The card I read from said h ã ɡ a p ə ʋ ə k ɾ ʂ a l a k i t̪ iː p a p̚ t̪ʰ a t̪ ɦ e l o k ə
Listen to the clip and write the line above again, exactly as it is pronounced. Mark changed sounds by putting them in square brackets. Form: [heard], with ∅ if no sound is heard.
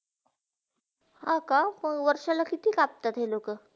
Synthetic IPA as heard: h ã [k] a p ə ʋ ə [∅] ɾ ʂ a l a k i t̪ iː [k] a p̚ [t̪] a t̪ ɦ e l o k ə